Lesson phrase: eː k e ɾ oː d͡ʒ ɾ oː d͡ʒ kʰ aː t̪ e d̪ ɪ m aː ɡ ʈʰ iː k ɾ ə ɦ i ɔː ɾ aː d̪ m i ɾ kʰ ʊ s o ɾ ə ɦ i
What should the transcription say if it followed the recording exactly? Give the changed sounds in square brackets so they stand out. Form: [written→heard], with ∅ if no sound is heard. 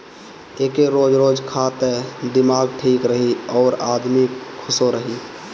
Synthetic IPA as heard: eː k e ɾ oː d͡ʒ ɾ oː d͡ʒ kʰ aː t̪ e d̪ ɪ m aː ɡ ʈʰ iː k ɾ ə ɦ i ɔː ɾ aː d̪ m i [ɾ→∅] kʰ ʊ s o ɾ ə ɦ i